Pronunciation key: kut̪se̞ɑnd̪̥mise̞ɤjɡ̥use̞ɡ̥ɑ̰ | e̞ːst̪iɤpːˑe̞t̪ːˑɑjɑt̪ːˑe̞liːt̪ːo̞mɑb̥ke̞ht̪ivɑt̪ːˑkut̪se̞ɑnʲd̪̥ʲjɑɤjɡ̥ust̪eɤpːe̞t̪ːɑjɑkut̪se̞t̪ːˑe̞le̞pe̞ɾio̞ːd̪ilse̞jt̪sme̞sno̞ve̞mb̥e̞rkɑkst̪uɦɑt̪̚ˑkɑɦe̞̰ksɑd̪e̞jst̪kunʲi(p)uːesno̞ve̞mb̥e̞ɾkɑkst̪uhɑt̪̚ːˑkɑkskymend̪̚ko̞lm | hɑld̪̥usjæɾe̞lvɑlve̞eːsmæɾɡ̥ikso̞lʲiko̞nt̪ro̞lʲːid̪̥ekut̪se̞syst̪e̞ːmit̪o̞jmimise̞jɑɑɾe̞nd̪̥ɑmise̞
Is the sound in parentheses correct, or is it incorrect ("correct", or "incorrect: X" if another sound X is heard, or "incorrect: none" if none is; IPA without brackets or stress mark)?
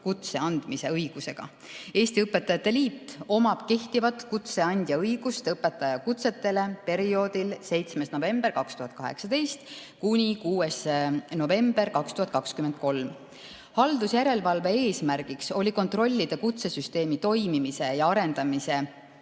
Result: incorrect: k